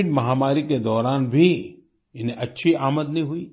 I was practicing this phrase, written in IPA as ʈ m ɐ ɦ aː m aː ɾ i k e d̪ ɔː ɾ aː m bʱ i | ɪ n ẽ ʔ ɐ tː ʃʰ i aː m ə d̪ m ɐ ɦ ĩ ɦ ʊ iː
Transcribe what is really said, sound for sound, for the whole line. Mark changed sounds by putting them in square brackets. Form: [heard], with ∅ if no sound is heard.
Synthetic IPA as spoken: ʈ m ɐ ɦ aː m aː ɾ i k e d̪ ɔː ɾ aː [n] bʱ i | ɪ n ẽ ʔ ɐ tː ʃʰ i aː m ə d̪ [n] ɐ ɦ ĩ ɦ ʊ iː